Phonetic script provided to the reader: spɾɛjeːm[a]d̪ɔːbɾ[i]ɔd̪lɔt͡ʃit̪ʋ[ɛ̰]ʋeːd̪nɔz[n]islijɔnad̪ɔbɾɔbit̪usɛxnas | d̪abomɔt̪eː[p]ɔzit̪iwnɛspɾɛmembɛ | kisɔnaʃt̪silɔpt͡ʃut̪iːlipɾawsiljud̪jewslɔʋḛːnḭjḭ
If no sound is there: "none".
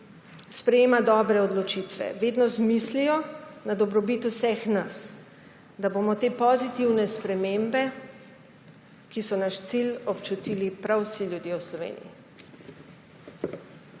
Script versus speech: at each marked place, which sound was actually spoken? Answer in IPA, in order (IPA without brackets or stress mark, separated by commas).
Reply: a, ɛ, ɛ̰, m, p